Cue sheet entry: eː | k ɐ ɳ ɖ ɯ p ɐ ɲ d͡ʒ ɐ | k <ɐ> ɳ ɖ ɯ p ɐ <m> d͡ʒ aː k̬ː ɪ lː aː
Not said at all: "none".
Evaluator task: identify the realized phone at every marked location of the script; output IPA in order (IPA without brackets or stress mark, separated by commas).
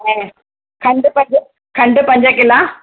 ɐ, ɲ